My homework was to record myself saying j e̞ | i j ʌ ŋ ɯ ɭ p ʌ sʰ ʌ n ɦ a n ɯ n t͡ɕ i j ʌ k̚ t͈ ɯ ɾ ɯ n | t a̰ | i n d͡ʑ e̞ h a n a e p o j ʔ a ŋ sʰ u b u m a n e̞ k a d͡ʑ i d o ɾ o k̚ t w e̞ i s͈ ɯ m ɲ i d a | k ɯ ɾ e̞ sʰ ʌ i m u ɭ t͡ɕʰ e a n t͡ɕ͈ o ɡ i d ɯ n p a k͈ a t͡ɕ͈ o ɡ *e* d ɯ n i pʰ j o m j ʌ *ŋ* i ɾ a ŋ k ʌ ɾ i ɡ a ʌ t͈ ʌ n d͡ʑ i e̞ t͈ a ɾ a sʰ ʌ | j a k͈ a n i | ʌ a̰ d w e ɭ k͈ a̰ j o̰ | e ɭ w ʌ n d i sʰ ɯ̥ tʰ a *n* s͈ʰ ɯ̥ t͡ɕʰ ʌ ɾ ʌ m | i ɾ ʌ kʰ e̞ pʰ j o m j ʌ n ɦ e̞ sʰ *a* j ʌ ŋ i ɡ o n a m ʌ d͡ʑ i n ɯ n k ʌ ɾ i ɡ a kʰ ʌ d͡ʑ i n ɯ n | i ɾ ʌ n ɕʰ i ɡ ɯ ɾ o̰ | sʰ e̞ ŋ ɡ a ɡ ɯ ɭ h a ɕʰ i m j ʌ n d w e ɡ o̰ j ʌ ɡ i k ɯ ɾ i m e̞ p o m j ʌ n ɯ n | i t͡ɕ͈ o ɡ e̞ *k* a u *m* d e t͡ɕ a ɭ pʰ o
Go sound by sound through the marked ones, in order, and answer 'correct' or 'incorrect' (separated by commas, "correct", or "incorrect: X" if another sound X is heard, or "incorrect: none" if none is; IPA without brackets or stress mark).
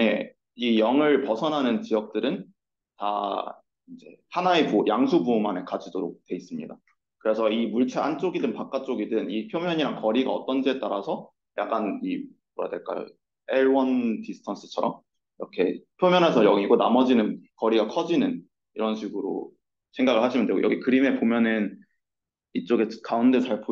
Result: incorrect: i, incorrect: ɲ, correct, incorrect: ʌ, correct, incorrect: n